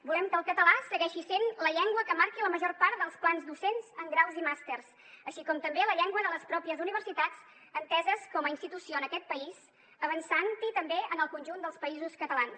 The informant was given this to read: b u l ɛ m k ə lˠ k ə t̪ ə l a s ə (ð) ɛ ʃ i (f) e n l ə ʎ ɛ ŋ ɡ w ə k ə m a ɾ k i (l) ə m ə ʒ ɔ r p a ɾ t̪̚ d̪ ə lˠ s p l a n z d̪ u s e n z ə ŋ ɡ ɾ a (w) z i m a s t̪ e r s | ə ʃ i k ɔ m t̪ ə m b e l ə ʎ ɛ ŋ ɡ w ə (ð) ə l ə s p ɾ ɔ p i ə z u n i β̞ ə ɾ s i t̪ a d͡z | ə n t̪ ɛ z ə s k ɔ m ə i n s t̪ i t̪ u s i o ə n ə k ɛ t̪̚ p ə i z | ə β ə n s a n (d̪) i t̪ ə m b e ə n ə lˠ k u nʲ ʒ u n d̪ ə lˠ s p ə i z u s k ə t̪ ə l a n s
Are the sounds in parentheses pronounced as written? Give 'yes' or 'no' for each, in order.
no, no, yes, yes, yes, no

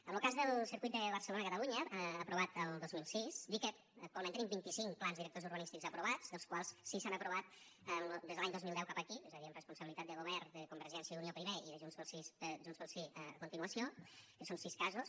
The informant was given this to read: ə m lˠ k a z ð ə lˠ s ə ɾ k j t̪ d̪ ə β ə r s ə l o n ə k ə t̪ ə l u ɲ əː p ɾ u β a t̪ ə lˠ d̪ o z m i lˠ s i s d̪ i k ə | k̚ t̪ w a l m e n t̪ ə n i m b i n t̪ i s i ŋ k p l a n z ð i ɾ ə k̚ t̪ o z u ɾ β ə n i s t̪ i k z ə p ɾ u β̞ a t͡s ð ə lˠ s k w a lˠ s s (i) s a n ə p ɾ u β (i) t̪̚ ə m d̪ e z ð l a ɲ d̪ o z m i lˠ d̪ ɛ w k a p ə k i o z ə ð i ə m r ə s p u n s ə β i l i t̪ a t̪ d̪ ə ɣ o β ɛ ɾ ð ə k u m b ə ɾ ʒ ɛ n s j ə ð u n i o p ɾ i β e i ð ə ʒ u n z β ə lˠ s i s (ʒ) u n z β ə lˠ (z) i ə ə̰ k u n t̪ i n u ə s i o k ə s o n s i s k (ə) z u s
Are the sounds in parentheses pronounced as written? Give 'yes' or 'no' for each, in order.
yes, no, yes, no, no

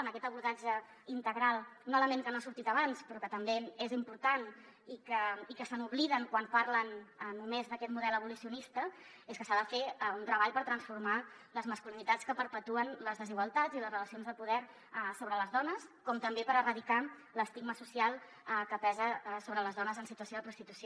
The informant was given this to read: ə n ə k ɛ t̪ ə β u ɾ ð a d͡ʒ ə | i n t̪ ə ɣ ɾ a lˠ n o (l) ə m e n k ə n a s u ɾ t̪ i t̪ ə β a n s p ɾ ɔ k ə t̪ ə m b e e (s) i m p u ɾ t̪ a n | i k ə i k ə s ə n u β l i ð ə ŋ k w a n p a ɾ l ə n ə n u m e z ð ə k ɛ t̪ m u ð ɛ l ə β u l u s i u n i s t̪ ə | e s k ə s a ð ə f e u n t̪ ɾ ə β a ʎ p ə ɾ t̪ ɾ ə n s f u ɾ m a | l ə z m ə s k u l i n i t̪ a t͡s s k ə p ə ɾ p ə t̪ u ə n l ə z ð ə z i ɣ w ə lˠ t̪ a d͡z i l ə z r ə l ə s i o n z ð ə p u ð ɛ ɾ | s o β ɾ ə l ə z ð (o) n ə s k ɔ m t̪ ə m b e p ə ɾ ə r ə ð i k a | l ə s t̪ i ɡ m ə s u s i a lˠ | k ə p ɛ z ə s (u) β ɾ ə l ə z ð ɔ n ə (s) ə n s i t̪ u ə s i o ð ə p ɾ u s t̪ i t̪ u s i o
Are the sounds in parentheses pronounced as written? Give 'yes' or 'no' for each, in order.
yes, no, no, no, no

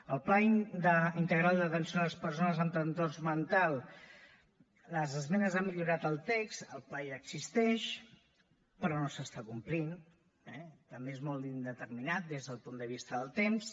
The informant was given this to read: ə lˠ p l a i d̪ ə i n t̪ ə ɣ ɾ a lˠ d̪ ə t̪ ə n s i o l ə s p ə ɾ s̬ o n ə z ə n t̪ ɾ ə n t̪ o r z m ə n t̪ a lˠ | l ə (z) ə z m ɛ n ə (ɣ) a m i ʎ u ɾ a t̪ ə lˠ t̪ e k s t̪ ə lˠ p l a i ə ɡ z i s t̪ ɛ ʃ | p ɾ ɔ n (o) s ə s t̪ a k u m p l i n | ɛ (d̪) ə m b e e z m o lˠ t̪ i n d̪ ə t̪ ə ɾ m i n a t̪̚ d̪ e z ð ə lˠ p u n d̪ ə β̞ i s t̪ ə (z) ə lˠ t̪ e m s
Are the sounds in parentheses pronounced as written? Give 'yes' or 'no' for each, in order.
yes, no, yes, no, no

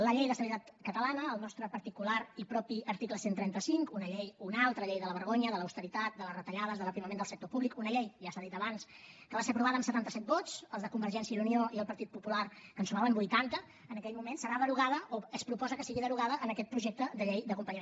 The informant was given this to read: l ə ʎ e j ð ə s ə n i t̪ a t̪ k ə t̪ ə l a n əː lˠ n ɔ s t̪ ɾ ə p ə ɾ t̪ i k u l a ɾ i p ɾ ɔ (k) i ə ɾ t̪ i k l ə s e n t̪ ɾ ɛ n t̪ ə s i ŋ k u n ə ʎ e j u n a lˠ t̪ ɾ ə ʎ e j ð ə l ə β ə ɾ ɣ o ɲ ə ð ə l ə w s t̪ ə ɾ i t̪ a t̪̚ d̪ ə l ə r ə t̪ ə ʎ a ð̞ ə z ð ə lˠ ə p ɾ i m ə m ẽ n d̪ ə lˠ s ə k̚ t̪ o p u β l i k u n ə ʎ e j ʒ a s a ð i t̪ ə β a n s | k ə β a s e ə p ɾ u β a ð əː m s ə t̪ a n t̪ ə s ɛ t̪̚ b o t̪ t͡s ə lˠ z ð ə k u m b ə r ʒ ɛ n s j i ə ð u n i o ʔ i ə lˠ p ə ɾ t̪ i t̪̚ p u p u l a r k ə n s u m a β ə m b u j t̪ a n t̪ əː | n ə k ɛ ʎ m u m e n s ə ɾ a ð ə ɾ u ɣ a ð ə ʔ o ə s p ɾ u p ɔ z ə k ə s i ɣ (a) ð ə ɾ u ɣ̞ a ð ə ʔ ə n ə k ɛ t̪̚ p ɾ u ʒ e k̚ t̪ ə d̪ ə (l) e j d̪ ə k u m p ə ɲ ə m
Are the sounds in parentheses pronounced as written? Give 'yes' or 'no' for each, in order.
no, no, no

